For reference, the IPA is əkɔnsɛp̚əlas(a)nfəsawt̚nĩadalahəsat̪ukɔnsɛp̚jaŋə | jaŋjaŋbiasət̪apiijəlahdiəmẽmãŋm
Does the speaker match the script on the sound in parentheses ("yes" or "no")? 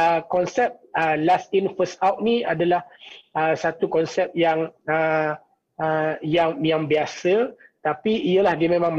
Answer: no